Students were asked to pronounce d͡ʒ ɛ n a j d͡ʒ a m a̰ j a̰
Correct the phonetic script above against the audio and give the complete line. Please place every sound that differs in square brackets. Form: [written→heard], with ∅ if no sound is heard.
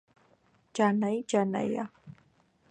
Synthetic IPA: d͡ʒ [ɛ→a] n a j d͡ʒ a [m→n] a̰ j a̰